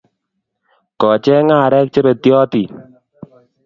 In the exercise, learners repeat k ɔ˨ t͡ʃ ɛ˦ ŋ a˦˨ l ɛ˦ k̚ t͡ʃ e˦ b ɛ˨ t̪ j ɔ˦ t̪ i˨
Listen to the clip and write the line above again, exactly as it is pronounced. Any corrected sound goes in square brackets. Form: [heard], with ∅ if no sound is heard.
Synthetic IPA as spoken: k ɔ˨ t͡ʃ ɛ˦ ŋ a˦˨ [ɾ] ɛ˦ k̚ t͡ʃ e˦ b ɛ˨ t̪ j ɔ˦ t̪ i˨